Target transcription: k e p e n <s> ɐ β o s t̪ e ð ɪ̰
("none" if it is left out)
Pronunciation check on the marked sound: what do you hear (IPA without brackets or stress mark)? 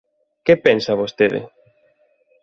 s